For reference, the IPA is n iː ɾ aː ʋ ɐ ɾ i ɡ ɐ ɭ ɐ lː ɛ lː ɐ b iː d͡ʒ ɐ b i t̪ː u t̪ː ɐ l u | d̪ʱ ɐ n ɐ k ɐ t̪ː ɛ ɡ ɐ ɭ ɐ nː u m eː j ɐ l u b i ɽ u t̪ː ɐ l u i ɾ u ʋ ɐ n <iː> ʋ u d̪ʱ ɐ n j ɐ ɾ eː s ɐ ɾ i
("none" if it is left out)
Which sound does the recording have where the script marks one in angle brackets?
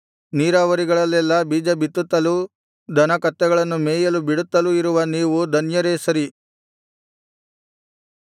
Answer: iː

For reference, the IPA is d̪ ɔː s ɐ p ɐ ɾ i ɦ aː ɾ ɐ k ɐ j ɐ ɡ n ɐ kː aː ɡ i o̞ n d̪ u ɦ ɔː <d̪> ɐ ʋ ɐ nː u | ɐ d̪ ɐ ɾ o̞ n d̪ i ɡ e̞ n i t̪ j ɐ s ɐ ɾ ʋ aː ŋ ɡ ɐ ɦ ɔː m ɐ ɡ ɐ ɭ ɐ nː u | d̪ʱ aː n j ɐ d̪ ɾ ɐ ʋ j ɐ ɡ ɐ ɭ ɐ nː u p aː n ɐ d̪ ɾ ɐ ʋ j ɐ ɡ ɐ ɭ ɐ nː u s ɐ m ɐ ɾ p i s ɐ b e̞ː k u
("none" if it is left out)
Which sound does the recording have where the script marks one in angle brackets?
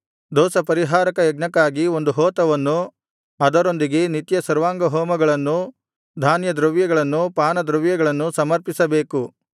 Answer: t̪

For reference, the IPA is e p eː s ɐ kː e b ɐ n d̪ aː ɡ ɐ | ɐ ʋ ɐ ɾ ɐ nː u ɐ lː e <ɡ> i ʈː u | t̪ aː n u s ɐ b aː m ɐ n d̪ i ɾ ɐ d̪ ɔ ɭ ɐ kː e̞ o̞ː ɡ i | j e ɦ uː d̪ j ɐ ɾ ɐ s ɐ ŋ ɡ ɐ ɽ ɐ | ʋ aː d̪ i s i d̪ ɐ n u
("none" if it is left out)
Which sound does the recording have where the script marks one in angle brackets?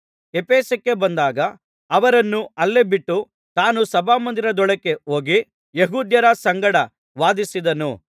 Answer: b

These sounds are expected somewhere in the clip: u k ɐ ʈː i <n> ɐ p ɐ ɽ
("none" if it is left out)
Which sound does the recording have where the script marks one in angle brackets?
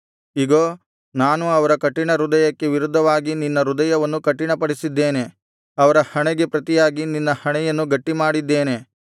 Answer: ɳ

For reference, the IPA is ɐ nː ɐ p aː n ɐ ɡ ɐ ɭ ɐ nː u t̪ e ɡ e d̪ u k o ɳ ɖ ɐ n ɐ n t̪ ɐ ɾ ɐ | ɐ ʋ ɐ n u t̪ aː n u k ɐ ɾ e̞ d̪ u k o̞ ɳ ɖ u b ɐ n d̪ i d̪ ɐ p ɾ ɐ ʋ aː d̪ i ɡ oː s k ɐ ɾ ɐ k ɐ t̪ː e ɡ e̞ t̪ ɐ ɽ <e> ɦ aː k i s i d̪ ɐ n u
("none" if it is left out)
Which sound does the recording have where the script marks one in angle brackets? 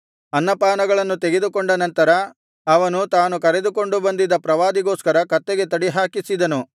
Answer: i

